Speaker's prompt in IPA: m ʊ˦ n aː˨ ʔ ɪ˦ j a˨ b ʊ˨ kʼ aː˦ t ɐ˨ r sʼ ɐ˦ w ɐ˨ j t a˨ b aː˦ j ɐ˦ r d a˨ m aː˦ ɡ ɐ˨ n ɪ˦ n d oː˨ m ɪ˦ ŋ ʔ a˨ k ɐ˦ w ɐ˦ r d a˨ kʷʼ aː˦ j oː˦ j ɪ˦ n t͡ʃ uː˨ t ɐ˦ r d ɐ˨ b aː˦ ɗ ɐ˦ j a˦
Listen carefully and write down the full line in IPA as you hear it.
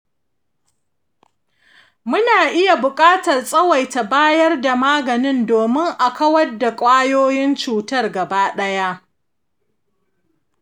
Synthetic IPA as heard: m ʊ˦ n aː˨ ʔ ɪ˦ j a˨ b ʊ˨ kʼ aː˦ t ɐ˨ r sʼ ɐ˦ w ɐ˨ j t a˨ b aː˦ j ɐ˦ r d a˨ m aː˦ ɡ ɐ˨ n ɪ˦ n d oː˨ m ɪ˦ ŋ ʔ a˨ k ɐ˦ w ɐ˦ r d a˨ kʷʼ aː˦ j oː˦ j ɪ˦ n t͡ʃ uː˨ t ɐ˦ r ɡ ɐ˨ b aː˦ ɗ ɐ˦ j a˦